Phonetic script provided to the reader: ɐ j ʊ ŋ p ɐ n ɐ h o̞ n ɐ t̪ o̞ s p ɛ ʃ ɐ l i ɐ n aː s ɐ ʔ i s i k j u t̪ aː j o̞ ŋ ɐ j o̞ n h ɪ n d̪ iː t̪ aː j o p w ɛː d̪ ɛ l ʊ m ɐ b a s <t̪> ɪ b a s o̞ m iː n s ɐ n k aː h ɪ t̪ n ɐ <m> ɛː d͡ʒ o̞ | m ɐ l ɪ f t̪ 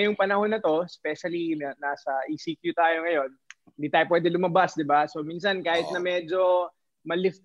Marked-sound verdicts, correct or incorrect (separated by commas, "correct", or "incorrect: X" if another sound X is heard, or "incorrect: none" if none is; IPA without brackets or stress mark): incorrect: d̪, correct